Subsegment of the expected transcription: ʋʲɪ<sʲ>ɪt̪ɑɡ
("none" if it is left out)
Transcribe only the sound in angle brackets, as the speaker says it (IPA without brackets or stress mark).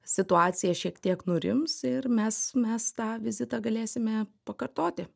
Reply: zʲ